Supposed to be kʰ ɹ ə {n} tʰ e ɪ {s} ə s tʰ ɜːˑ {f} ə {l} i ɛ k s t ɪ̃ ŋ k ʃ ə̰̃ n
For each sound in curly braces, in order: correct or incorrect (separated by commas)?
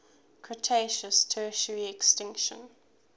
incorrect, incorrect, incorrect, incorrect